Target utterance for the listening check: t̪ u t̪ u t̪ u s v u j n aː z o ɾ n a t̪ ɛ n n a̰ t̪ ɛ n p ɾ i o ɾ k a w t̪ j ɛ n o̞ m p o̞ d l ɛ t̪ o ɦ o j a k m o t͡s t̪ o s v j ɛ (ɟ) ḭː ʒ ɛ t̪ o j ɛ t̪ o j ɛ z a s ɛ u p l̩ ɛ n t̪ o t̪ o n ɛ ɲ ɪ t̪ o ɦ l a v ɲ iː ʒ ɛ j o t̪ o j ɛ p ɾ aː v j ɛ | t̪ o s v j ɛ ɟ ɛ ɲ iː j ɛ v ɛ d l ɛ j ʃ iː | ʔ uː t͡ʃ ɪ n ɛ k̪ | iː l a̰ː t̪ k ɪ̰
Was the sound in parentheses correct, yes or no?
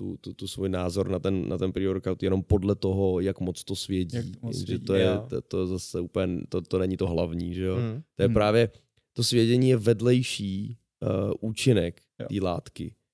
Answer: yes